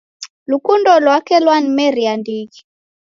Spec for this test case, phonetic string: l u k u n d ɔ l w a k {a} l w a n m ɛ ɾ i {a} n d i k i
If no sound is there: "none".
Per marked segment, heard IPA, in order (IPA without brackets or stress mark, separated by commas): ɛ, a